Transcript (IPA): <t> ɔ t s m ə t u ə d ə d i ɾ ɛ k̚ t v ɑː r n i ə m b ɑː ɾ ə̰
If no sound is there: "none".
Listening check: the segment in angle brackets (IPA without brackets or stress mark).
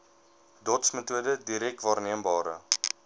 d